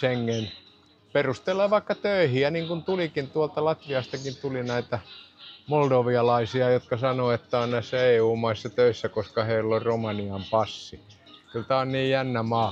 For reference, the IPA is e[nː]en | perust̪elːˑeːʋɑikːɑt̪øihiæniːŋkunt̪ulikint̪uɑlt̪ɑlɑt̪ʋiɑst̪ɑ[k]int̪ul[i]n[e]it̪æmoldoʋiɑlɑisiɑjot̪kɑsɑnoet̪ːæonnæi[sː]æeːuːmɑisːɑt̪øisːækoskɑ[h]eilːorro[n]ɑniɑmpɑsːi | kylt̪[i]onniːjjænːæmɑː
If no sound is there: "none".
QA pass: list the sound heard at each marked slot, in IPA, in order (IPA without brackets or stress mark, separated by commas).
ŋː, k, i, æ, sː, h, m, æ